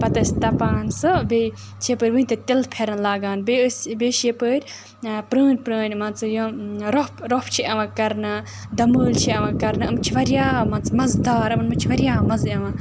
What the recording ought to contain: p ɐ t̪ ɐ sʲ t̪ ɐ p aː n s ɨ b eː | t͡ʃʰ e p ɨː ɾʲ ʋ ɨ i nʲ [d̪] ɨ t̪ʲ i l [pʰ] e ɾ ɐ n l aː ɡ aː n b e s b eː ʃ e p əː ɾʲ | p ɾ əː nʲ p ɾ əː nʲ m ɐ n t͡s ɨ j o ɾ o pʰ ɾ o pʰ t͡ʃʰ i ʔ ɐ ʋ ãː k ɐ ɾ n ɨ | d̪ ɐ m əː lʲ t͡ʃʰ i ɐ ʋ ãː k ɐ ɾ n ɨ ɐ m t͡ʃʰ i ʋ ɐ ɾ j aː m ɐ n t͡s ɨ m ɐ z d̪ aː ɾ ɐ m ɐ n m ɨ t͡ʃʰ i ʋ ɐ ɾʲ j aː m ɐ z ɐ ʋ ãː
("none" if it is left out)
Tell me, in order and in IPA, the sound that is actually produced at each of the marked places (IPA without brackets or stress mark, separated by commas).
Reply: t̪, pʰ